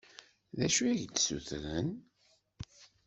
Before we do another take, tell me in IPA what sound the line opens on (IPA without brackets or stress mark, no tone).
ð